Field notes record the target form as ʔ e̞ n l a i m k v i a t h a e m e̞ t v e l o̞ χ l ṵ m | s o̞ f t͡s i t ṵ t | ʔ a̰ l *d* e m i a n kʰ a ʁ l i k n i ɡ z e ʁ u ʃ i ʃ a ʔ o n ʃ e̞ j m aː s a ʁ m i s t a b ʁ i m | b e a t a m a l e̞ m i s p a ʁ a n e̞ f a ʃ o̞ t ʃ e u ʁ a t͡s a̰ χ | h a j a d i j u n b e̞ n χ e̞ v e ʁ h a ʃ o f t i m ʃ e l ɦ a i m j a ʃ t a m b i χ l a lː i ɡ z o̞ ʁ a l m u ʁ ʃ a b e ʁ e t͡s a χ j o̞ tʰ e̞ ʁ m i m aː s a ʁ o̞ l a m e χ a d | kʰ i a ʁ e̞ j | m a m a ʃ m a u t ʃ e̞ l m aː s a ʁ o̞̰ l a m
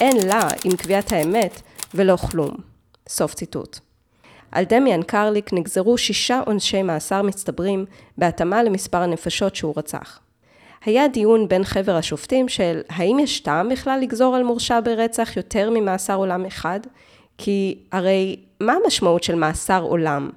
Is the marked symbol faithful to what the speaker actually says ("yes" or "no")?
yes